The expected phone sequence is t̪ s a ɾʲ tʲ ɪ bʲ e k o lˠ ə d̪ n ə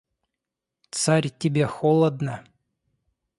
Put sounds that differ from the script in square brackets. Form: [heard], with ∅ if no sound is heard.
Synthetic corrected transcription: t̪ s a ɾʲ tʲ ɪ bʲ e [x] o lˠ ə d̪ n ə